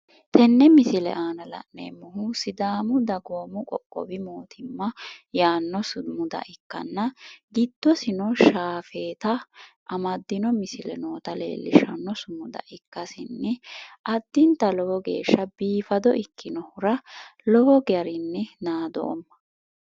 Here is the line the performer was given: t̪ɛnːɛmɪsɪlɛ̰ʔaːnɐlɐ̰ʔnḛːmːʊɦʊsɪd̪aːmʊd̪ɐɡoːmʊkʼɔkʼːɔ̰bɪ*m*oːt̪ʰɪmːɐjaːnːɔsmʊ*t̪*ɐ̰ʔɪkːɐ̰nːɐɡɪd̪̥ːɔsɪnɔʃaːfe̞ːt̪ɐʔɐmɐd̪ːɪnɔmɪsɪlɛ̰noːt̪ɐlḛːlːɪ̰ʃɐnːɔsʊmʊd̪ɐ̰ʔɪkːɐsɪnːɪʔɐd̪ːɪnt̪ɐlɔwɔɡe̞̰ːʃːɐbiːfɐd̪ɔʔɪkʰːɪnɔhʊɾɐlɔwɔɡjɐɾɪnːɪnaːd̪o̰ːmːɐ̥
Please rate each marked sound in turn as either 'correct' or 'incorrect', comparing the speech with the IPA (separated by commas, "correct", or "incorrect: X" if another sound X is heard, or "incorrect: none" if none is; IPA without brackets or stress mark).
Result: correct, incorrect: d̪